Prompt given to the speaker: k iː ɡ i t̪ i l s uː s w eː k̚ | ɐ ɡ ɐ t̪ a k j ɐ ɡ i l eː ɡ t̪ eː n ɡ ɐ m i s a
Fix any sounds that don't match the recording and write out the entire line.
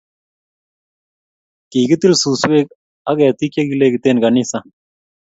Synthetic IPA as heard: k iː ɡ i t̪ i l s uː s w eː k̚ | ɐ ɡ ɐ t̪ i k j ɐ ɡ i l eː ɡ t̪ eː n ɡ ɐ n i s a